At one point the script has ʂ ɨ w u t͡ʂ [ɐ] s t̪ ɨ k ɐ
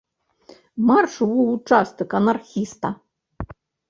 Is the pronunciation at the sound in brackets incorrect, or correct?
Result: incorrect